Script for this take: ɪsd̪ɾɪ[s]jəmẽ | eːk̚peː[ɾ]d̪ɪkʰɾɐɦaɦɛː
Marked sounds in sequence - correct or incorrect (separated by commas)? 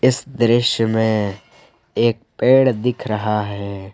incorrect, incorrect